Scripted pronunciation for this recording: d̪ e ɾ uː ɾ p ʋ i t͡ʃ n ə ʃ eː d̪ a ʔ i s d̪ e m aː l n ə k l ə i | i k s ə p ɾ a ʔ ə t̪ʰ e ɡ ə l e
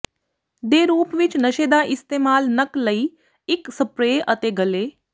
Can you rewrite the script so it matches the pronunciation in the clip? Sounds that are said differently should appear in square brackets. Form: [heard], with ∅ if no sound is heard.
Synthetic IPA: d̪ e ɾ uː [∅] p ʋ i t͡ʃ n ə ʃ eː d̪ a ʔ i s [t̪] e m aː l n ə k l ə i | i k s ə p ɾ [e] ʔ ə [t̪] e ɡ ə l e